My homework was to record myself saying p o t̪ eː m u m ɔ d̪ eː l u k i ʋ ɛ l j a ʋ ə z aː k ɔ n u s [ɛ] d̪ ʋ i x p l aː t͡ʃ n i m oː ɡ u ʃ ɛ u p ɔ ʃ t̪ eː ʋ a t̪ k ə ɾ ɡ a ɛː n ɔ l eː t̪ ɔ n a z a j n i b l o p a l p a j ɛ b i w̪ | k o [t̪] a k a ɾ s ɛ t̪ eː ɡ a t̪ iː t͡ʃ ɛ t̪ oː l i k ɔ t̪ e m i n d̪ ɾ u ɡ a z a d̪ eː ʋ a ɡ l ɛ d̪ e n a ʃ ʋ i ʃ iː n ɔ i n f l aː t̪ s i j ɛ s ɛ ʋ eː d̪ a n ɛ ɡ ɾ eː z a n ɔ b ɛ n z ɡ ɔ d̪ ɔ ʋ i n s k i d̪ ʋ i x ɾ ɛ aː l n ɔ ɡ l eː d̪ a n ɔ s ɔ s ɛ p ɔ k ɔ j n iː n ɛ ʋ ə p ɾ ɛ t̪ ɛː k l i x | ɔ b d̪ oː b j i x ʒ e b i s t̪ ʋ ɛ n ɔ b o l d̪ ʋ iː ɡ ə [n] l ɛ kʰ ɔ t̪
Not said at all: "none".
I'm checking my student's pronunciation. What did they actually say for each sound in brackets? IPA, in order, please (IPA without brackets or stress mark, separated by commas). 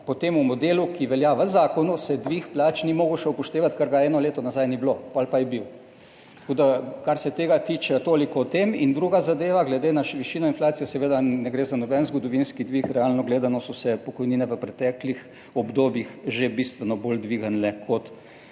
ɛ, d̪, n